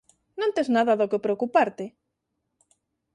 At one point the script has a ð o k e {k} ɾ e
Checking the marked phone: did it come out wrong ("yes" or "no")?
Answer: yes